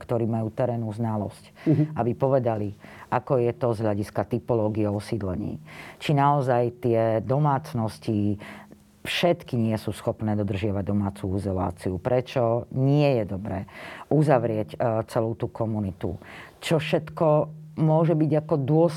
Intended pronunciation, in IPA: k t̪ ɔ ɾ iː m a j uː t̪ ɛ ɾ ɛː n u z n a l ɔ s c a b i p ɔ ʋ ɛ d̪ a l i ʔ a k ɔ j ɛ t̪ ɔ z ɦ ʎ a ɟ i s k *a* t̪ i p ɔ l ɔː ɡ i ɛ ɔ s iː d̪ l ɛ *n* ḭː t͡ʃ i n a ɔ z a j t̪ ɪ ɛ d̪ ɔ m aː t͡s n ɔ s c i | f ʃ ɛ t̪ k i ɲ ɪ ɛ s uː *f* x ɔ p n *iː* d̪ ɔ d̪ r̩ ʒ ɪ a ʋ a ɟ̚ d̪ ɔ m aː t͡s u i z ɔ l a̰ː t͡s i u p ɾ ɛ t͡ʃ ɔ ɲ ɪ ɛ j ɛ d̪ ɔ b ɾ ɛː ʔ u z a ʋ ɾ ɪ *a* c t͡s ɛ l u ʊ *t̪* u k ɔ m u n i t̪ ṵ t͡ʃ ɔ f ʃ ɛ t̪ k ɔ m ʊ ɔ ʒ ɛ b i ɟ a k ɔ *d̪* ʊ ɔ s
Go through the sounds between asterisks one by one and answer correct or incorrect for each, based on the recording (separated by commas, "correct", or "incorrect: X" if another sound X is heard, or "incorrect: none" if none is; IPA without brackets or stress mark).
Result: correct, incorrect: ɲ, incorrect: s, incorrect: ɛː, incorrect: ɛ, correct, correct